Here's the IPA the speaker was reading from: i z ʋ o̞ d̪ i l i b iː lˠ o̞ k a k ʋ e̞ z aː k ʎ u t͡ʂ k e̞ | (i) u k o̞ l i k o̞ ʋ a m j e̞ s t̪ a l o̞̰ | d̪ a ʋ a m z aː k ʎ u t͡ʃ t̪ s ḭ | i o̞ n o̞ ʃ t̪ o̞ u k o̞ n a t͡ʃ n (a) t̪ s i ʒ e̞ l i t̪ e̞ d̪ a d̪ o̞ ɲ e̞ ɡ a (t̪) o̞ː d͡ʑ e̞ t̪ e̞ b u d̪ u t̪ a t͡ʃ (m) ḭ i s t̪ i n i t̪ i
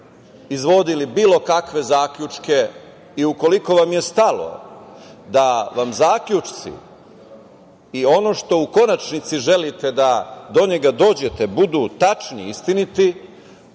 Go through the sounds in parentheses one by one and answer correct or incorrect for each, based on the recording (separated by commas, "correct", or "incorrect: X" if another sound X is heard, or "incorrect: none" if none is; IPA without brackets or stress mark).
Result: correct, incorrect: i, incorrect: d̪, incorrect: n